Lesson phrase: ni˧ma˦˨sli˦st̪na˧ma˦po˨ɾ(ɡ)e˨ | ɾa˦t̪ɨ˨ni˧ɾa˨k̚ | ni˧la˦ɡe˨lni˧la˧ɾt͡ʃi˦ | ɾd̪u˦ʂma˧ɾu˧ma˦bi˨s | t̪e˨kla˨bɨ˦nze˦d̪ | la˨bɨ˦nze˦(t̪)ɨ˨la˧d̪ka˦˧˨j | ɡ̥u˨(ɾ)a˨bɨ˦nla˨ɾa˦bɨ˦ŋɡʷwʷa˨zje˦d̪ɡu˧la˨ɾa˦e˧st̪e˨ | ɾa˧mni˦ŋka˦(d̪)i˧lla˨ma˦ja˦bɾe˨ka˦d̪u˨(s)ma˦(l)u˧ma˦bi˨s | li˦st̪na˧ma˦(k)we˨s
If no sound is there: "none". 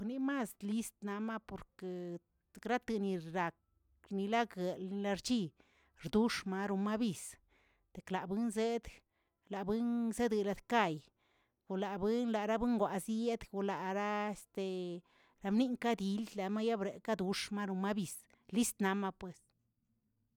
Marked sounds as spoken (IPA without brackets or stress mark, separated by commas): k, d̪, l, d̪, ʂ, ɾ, p